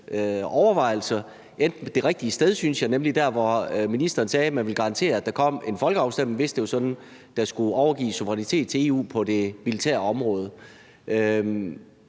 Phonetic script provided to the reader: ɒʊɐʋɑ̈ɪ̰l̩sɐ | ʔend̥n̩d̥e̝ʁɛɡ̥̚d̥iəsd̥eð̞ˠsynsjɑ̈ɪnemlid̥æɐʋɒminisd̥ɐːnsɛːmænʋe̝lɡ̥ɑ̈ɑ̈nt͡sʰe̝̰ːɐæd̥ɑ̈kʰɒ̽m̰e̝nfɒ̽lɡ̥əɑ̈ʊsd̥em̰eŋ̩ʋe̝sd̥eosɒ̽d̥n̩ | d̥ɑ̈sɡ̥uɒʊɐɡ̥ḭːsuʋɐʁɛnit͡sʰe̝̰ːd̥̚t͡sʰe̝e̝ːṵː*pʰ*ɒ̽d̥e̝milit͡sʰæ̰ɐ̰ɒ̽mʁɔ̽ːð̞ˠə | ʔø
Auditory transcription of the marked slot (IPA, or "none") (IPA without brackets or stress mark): pʰ